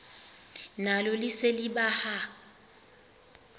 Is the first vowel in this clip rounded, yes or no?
no